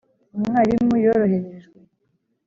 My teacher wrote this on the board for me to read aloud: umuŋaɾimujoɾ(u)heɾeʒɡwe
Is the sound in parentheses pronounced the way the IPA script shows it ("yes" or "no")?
no